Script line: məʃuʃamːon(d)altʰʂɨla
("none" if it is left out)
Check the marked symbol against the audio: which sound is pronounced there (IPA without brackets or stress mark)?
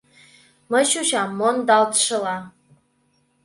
d